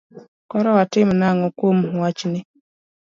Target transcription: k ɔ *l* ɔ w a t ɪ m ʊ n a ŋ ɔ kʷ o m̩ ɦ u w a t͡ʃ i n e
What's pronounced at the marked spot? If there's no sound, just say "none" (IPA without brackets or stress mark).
ɾ